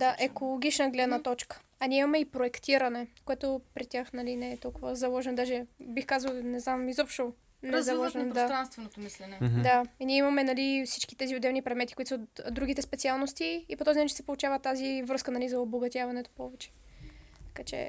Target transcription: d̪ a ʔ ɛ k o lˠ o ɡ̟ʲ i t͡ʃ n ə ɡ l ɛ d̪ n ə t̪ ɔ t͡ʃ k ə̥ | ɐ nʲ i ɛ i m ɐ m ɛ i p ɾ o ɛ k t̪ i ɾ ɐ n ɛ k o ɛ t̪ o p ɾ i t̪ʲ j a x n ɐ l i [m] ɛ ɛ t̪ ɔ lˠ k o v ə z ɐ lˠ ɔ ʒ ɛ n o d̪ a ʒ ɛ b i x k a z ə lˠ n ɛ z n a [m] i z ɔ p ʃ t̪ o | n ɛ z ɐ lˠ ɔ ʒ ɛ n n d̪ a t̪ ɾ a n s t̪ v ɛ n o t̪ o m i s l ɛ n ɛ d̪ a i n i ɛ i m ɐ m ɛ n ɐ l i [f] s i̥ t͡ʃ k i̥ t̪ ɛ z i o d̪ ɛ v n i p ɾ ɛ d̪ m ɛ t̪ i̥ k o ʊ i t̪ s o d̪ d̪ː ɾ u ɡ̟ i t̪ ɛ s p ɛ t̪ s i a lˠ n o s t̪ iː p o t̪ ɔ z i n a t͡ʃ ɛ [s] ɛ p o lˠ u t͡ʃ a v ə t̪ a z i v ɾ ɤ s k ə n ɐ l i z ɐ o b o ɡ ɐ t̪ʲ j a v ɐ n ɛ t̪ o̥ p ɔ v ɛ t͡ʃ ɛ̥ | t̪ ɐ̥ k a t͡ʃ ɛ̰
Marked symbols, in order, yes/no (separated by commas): no, yes, yes, yes